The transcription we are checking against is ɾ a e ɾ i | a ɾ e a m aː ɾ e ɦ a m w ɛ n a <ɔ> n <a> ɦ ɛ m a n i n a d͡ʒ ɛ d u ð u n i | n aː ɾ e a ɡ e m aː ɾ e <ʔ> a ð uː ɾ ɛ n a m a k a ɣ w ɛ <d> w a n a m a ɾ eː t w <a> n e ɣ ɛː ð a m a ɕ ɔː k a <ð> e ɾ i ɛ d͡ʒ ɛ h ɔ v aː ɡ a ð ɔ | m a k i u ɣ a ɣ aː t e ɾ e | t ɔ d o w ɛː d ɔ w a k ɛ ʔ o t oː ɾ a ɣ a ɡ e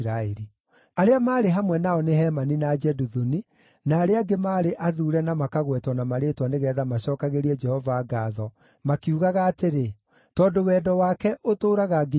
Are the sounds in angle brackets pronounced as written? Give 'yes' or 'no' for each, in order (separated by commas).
yes, no, yes, no, yes, no